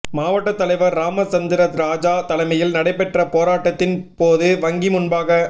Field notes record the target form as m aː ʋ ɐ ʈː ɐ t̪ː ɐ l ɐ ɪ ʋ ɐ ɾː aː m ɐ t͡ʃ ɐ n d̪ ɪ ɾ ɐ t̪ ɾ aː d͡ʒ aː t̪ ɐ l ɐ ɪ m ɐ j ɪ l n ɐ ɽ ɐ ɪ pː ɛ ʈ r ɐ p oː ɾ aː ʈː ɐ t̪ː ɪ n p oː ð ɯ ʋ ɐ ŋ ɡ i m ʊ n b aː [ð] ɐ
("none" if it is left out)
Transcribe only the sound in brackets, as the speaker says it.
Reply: ɣ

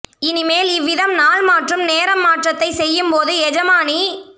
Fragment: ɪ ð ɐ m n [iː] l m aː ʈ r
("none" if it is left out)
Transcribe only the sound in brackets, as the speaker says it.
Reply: aː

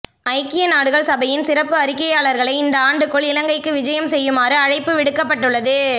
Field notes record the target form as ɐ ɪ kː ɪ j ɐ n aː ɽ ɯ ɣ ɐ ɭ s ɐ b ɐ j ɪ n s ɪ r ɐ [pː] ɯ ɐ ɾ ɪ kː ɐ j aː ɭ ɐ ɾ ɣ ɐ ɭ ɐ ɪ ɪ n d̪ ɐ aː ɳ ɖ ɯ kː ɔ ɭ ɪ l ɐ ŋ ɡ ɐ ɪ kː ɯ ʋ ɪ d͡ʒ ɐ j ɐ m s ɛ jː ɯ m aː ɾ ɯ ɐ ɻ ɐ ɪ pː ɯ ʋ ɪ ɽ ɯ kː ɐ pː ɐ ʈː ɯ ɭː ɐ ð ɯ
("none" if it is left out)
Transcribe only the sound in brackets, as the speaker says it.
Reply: pː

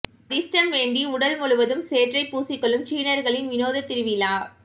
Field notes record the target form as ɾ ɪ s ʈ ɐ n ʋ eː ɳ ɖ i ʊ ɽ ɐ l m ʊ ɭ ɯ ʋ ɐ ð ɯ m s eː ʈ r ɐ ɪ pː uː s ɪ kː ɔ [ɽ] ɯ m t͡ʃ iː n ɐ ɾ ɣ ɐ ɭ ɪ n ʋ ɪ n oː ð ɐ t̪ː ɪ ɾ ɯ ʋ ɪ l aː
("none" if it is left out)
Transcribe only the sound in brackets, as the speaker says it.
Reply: ɭ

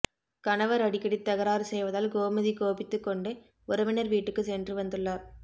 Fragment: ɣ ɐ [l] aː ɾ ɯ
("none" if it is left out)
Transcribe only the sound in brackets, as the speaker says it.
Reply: ɾ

